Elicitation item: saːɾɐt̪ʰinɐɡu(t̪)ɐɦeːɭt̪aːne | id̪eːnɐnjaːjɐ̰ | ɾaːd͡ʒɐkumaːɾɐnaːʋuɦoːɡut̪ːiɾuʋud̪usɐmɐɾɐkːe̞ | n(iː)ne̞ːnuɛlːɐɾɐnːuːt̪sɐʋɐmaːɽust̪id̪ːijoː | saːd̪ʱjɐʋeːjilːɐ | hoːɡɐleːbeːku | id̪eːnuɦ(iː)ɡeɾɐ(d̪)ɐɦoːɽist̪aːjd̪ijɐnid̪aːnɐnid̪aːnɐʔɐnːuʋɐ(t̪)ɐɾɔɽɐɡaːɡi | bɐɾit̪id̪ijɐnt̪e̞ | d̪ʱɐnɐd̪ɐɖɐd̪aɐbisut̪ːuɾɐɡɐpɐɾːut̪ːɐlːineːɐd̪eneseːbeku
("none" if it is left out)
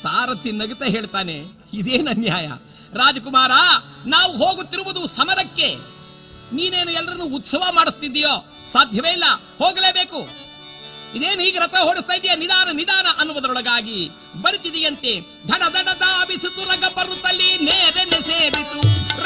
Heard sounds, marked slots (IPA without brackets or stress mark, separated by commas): t̪, iː, iː, t̪, d̪